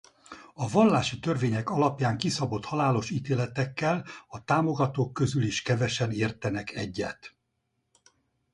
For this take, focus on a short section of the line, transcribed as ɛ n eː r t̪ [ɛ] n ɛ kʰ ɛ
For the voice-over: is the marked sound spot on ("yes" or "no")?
yes